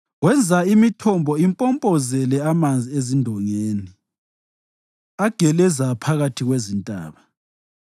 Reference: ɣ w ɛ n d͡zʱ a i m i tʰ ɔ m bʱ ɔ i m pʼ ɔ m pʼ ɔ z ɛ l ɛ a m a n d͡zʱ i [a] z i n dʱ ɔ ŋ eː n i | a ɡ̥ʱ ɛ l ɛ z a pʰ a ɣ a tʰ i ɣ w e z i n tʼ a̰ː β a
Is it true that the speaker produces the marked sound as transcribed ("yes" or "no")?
no